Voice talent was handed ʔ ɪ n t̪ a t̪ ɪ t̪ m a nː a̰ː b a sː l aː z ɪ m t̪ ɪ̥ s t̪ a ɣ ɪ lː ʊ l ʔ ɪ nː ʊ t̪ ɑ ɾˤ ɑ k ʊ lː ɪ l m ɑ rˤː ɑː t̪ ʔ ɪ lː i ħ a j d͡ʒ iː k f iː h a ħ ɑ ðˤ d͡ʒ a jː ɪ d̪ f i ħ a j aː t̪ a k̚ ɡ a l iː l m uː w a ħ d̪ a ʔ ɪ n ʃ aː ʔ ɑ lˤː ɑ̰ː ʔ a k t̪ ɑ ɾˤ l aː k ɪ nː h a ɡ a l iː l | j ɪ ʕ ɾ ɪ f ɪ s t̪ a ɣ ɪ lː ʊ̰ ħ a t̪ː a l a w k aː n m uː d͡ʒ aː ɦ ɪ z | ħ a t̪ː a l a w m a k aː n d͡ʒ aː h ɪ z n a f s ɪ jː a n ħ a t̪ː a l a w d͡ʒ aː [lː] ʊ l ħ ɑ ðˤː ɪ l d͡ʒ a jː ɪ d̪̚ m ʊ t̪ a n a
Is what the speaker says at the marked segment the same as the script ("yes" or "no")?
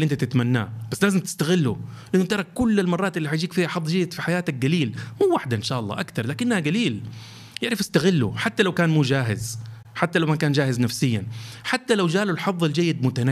no